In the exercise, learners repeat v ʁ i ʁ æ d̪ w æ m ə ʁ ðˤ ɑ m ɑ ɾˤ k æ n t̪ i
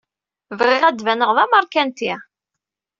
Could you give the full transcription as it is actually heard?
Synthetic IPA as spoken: v ʁ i ʁ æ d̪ v æ n ə ʁ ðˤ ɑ m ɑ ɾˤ k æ n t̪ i